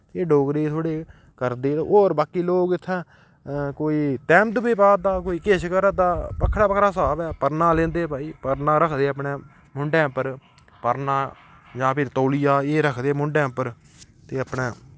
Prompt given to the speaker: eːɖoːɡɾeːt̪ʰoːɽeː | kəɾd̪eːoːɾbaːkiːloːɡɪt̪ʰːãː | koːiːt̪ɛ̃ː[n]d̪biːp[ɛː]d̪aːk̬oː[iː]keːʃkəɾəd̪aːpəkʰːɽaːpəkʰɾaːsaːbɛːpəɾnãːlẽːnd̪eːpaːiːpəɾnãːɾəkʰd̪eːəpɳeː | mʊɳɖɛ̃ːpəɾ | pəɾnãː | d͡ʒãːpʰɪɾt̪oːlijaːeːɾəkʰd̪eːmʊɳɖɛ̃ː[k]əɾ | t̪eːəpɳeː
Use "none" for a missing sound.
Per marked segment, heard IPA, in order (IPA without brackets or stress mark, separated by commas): m, aː, iː, p